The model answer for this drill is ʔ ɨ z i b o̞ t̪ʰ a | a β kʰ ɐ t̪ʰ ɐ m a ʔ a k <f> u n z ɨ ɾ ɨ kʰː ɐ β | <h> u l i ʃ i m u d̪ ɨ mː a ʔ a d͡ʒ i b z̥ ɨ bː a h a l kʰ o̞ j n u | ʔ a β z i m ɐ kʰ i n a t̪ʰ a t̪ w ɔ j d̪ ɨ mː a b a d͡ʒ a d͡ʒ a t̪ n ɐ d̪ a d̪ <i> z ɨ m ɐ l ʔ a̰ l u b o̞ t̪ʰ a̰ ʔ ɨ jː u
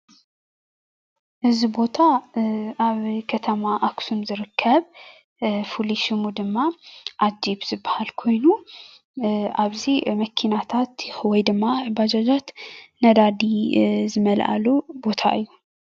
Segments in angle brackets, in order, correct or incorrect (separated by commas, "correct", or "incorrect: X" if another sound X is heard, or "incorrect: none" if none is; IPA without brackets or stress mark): incorrect: s, incorrect: f, correct